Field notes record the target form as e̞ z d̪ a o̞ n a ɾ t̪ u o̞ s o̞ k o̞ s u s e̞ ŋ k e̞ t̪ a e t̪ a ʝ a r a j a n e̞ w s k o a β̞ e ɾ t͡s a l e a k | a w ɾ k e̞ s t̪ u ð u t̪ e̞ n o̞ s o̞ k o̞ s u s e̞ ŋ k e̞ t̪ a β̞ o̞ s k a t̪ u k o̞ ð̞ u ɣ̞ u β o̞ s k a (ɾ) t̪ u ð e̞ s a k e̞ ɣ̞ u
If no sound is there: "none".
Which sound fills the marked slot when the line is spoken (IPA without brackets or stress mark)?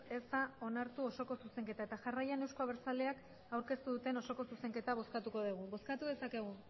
none